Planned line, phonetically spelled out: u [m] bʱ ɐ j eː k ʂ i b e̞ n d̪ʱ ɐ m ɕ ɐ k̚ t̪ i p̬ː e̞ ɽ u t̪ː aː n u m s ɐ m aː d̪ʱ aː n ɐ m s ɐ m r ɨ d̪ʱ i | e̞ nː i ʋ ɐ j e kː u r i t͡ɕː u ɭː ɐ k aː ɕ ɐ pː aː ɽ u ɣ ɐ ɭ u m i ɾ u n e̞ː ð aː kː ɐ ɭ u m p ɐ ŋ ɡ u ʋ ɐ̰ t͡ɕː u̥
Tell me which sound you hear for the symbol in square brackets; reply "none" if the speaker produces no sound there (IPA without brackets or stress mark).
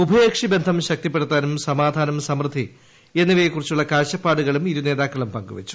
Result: none